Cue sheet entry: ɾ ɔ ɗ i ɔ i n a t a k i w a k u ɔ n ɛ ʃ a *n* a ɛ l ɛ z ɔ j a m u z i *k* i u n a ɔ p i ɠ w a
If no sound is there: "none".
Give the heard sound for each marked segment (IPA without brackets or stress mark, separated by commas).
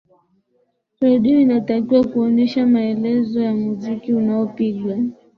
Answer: m, k